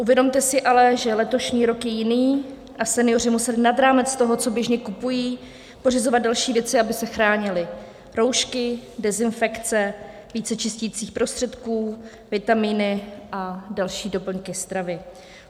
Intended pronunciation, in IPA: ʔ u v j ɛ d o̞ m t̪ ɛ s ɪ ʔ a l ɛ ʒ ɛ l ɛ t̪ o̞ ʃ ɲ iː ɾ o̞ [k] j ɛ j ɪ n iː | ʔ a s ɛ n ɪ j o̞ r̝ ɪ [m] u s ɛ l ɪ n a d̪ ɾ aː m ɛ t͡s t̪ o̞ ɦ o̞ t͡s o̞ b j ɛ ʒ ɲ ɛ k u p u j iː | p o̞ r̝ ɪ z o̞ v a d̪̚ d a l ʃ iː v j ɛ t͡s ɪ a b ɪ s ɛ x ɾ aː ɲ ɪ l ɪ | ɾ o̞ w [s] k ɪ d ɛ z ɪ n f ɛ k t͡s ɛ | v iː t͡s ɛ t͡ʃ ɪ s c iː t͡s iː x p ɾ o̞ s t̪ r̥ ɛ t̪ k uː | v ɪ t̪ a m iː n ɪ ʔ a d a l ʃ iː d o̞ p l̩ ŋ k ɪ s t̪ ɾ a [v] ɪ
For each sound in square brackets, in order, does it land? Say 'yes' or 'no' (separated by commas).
yes, yes, no, yes